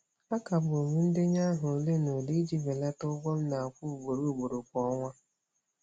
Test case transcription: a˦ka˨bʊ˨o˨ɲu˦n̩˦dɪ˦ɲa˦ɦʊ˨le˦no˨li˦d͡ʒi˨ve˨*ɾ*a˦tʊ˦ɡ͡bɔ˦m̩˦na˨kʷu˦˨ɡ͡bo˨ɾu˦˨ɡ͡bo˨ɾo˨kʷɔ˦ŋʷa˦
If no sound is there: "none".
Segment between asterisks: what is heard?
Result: l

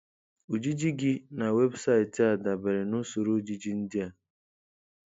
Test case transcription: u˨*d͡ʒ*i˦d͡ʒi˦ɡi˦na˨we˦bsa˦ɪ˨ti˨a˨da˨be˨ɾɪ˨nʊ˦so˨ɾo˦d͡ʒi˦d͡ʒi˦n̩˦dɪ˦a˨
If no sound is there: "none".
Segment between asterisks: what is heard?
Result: d͡ʒ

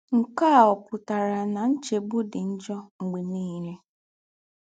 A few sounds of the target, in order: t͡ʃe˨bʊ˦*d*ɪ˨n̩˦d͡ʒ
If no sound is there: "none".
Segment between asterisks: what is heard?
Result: d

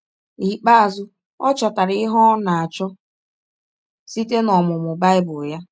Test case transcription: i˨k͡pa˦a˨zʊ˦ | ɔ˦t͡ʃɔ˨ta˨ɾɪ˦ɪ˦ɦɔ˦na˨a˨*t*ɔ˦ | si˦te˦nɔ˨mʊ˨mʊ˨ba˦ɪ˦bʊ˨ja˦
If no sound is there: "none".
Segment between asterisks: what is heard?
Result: t͡ʃ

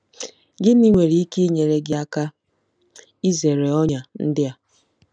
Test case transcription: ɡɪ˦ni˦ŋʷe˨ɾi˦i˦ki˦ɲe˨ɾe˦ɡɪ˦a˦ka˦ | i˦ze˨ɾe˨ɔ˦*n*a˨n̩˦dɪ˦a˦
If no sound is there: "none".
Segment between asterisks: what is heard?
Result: ɲ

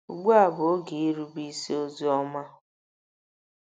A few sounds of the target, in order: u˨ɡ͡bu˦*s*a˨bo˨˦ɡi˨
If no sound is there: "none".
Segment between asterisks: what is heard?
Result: none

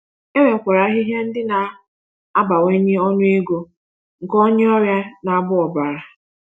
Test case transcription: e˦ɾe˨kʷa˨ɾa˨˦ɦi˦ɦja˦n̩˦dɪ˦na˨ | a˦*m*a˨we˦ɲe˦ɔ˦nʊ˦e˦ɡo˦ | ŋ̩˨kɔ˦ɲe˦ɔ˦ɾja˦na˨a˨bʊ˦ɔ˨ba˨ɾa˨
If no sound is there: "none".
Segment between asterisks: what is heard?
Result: b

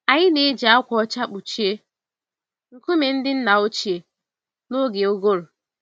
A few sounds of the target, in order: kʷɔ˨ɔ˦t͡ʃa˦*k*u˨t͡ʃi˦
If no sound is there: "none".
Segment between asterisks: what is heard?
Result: k͡p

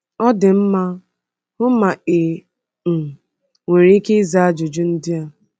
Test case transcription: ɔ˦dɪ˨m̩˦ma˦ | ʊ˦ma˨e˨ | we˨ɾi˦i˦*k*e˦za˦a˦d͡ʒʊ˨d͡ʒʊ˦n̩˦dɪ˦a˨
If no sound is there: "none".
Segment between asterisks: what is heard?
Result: k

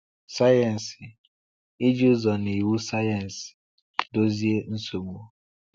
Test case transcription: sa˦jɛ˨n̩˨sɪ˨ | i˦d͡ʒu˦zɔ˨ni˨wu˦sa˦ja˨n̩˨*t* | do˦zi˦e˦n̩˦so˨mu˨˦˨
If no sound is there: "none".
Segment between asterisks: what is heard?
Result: s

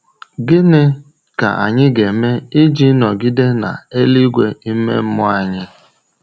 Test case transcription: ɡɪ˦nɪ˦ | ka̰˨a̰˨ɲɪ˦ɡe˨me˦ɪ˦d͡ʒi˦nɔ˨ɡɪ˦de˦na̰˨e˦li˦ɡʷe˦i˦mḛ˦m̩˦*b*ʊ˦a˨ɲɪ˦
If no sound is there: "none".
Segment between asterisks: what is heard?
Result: m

